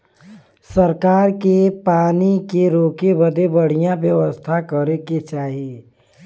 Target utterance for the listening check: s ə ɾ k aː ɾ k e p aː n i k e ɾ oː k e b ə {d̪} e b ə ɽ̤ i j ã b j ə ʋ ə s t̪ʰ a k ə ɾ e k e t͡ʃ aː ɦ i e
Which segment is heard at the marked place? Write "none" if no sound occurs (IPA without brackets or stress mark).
d̪